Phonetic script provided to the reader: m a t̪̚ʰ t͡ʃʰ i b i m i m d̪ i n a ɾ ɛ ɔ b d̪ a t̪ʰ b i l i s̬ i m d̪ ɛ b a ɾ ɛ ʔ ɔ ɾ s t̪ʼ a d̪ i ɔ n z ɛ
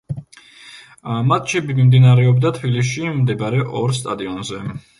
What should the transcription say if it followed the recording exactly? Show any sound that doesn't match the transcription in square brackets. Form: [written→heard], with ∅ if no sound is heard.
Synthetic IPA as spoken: m a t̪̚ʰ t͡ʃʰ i b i m i m d̪ i n a ɾ ɛ ɔ b d̪ a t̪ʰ b i l i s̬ i m d̪ ɛ b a ɾ ɛ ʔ ɔ ɾ s t̪ʼ a d̪ i ɔ n z ɛ